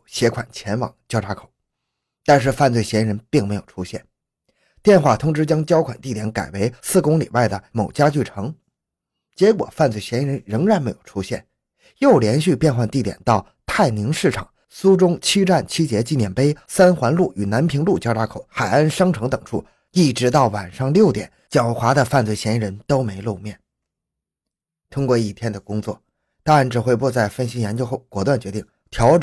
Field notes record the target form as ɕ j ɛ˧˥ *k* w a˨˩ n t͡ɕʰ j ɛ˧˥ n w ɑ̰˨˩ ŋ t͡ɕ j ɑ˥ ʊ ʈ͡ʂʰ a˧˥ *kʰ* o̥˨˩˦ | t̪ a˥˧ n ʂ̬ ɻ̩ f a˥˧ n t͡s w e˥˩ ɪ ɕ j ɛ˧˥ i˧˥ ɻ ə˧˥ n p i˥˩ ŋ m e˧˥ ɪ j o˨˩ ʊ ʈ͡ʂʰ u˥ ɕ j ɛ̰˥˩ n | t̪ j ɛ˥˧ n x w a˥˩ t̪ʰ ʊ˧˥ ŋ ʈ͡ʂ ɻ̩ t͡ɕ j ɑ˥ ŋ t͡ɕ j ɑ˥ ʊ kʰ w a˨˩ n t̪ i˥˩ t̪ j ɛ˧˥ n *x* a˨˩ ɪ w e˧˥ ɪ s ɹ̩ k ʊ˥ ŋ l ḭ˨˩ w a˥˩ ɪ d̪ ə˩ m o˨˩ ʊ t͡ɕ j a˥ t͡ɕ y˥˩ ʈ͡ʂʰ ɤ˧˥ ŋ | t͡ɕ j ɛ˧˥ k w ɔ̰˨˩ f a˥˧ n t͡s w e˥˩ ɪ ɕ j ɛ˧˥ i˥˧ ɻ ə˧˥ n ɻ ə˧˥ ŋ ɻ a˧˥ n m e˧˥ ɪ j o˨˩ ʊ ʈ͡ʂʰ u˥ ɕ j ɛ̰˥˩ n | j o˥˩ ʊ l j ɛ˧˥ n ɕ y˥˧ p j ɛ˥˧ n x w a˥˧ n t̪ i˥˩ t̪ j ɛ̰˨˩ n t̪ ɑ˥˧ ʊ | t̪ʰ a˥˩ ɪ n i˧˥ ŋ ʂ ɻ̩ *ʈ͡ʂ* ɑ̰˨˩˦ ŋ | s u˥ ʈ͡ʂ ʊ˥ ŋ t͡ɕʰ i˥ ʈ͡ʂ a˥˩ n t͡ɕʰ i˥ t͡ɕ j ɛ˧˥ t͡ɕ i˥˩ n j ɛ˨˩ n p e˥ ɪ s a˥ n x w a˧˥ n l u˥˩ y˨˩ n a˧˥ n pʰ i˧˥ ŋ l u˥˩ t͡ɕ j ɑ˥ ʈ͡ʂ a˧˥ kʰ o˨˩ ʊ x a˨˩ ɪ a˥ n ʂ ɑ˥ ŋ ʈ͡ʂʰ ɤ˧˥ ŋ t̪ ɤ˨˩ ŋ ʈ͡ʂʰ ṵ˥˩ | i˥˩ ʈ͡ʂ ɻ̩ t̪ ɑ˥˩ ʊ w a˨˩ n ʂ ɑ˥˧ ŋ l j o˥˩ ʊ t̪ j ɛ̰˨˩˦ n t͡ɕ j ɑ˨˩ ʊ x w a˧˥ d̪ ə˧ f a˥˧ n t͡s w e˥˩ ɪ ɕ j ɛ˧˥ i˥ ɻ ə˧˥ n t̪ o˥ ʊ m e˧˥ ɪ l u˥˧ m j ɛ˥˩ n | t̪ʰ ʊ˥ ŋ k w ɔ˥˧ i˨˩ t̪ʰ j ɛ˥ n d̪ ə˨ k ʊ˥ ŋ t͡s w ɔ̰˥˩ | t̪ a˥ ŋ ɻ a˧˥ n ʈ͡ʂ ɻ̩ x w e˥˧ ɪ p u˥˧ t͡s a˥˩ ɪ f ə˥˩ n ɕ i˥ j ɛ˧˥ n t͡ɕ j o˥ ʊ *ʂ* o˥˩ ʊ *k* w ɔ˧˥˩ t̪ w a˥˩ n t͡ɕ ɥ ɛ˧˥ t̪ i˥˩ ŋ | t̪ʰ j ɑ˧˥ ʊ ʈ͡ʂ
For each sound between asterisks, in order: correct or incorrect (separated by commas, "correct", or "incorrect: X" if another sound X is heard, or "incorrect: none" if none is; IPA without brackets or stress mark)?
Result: incorrect: kʰ, correct, incorrect: k, incorrect: ʈ͡ʂʰ, incorrect: x, correct